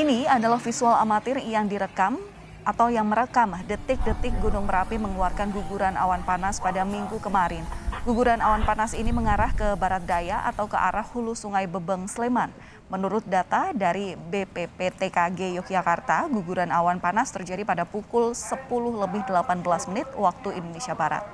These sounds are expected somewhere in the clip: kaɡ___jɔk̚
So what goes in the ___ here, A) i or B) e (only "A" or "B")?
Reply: B